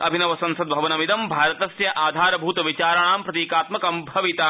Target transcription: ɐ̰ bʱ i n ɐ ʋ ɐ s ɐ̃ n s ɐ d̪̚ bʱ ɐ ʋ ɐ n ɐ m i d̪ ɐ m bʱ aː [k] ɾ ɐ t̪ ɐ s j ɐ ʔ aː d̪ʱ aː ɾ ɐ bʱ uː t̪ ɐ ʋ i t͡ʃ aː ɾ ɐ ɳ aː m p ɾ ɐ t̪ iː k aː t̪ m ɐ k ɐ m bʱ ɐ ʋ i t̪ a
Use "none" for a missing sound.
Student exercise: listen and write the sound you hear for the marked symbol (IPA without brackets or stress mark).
none